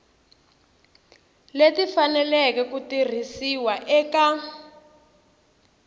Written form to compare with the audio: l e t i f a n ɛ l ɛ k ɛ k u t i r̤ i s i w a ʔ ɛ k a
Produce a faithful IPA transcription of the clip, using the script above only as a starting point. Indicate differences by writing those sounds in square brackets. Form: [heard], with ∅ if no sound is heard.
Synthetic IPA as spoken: l e t i f a n ɛ l ɛ k ɛ k u t i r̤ i s i w a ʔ ɛ k a